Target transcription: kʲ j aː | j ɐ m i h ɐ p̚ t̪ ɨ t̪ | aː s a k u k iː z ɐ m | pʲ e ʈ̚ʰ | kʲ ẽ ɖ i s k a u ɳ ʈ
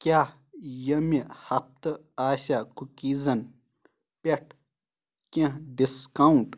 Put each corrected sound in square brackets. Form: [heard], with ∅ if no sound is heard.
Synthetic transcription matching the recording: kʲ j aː | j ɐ m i h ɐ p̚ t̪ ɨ [∅] | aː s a k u k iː z ɐ [n] | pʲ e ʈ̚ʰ | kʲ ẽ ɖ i s k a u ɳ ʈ